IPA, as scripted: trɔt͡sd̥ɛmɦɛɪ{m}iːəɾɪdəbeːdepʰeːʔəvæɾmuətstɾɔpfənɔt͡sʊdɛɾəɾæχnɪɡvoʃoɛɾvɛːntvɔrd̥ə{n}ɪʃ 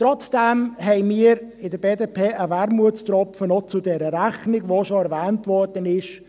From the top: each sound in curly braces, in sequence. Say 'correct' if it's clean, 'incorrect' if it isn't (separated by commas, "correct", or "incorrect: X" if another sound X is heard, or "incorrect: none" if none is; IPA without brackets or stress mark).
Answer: correct, correct